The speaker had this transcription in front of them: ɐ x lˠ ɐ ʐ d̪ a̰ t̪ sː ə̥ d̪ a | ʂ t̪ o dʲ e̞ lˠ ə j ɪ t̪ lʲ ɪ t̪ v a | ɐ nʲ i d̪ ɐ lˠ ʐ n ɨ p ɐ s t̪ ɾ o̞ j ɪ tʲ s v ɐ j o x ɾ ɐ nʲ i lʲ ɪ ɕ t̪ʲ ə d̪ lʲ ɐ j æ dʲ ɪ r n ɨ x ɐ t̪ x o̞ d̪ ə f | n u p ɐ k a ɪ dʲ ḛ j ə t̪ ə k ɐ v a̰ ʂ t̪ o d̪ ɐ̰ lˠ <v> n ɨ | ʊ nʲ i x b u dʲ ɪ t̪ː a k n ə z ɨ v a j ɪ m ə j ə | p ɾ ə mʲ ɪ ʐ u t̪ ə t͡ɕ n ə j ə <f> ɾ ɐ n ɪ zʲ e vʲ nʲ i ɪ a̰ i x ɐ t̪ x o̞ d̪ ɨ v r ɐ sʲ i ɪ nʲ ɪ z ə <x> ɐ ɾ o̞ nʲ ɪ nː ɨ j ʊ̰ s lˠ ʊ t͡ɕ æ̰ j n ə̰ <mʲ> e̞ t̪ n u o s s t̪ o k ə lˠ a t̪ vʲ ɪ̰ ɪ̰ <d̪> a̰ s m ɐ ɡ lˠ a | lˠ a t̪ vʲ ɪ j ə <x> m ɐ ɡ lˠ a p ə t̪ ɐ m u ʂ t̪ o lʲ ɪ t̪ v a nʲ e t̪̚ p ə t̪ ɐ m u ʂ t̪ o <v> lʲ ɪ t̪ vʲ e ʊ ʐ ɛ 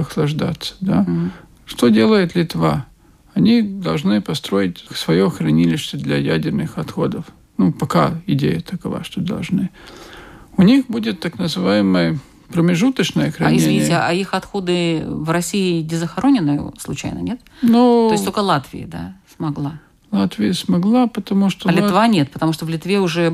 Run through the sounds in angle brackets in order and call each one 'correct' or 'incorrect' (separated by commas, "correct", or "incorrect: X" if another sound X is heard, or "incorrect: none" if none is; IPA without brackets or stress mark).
incorrect: ʐ, incorrect: x, correct, incorrect: nʲ, correct, incorrect: s, correct